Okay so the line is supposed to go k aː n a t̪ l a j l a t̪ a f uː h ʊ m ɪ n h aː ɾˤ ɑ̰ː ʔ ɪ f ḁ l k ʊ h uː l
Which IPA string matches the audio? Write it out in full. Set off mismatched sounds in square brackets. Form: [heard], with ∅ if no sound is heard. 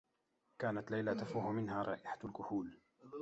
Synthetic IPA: k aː n a t̪ l a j l a t̪ a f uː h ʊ m ɪ n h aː ɾˤ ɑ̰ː ʔ ɪ [ħ] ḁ l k ʊ h uː l